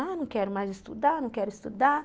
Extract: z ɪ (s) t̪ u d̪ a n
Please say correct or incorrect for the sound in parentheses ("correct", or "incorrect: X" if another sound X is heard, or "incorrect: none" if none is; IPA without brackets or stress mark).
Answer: correct